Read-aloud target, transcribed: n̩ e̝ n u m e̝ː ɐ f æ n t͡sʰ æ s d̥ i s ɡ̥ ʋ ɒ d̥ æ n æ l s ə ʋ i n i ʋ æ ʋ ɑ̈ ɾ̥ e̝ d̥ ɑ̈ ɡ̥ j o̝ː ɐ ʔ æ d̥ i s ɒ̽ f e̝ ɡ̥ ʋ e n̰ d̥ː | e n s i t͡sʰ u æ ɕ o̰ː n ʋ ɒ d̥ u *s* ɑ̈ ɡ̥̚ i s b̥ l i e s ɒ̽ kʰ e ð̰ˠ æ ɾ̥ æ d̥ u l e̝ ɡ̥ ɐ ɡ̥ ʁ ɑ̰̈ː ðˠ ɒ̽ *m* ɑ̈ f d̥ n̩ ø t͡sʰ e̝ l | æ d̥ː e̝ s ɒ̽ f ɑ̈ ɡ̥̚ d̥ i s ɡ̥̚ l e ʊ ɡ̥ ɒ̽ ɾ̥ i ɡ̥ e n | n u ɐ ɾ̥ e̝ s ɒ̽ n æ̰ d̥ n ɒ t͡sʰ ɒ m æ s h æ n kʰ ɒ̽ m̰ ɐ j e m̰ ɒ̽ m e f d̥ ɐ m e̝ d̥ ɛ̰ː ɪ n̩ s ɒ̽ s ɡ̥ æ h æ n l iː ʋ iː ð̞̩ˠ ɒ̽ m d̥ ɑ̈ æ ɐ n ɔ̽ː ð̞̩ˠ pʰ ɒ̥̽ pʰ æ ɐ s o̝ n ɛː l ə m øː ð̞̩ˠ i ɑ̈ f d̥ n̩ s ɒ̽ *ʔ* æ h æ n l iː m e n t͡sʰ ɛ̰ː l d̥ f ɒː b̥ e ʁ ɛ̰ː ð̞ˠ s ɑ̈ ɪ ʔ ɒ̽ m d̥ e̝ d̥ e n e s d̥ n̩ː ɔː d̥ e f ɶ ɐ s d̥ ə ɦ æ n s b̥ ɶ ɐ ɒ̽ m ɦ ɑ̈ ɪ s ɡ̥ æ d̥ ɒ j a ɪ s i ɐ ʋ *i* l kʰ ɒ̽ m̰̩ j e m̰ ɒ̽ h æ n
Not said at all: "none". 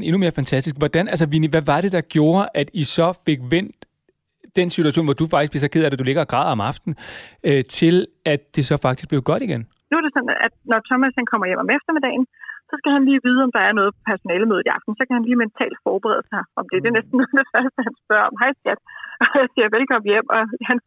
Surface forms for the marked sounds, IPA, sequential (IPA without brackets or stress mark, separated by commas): f, m, k, e